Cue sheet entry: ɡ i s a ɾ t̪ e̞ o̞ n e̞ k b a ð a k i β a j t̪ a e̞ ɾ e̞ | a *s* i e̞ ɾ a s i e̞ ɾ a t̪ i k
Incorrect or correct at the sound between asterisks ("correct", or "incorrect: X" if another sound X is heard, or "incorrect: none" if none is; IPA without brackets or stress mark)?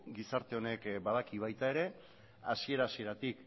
correct